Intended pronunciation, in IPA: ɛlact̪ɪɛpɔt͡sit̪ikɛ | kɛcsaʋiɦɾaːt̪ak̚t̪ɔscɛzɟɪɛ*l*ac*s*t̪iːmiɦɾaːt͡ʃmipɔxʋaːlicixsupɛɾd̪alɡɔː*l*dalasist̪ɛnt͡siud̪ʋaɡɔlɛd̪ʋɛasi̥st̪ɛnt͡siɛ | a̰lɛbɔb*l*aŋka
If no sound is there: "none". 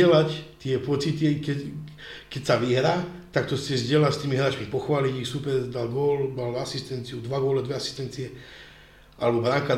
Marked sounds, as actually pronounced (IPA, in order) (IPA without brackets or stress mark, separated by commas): l, s, l, ɾ